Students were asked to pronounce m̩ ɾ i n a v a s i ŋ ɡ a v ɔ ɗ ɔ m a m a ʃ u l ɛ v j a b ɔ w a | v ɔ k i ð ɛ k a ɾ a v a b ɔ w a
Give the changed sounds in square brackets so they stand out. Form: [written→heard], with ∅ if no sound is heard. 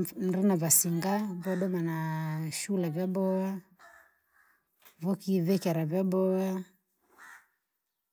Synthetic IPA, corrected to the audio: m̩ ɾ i n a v a s i ŋ ɡ a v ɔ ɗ ɔ m a [m→n] a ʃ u l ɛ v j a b ɔ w a | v ɔ k i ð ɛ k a ɾ a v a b ɔ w a

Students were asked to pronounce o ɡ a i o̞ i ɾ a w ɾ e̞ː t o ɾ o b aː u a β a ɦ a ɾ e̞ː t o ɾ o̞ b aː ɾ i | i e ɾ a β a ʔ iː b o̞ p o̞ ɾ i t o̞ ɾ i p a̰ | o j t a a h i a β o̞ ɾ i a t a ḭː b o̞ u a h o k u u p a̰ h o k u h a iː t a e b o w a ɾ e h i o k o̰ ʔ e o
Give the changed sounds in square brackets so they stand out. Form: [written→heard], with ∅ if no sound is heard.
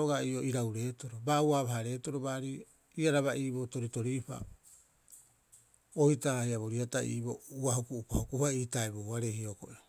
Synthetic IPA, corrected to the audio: o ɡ a i o̞ i ɾ a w ɾ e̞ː t o ɾ o b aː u a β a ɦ a ɾ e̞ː t o ɾ o̞ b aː ɾ i | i [e→a] ɾ a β a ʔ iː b o̞ [p→t] o̞ ɾ i t o̞ ɾ i p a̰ | o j t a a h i a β o̞ ɾ i a t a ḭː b o̞ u a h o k u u p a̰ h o k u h a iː t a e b o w a ɾ e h i o k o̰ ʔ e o

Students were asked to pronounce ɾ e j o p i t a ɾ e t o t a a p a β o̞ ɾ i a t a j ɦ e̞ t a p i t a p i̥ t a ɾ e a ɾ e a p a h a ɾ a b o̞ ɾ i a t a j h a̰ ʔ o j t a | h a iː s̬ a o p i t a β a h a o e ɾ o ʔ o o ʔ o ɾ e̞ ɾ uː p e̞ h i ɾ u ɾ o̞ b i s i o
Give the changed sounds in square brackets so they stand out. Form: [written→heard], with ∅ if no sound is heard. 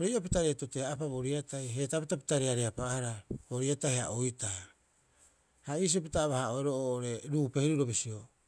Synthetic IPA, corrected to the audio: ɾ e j o p i t a ɾ e t o t [a→e] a p a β o̞ ɾ i a t a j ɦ e̞ t a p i t a p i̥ t a ɾ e a ɾ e a p a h a ɾ a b o̞ ɾ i a t a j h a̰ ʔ o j t a | h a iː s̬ [a→i] o p i t a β a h a o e ɾ o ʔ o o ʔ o ɾ e̞ ɾ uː p e̞ h i ɾ u ɾ o̞ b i s i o

